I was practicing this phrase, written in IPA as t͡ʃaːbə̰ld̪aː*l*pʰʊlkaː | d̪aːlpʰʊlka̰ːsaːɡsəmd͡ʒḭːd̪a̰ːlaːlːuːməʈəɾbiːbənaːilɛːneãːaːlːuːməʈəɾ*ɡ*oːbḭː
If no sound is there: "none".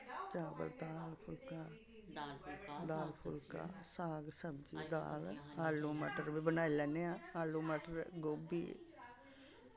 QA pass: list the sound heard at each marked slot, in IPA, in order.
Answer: l, ɡ

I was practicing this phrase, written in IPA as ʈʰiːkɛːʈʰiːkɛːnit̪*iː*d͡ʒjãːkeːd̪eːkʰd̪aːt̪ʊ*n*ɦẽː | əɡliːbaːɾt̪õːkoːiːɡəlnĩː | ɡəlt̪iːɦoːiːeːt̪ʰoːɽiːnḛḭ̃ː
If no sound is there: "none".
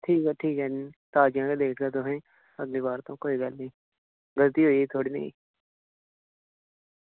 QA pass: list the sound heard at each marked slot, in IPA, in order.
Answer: aː, none

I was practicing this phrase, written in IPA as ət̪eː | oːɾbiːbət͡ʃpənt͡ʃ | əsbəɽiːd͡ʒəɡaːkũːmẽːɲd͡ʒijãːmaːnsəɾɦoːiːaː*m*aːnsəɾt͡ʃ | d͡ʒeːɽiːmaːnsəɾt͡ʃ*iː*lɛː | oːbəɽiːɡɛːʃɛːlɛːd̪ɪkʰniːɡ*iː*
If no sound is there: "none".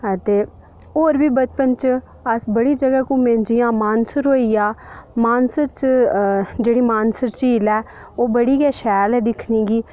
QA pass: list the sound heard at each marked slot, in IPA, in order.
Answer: m, iː, iː

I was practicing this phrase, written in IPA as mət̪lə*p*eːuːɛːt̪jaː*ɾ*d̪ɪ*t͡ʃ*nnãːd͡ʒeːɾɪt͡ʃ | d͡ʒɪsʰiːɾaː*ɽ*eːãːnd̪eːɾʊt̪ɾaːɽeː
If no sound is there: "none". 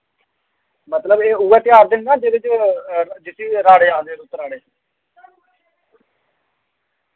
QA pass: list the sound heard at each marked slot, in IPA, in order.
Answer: b, ɾ, none, ɽ

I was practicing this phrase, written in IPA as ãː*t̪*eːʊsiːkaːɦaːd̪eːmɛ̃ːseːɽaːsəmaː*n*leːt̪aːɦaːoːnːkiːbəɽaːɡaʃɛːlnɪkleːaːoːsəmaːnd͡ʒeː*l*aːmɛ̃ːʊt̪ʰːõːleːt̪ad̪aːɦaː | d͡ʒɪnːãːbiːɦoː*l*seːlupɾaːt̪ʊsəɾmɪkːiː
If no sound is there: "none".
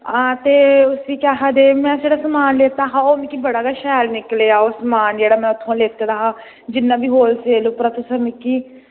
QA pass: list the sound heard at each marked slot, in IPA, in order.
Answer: t̪, n, ɽ, l

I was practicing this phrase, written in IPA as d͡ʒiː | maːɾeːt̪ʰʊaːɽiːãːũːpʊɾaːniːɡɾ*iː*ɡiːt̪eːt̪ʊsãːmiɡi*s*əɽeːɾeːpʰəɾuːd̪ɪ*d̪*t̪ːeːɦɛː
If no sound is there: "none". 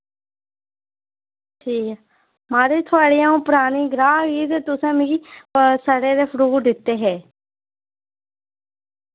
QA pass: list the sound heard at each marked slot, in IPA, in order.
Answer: aː, s, none

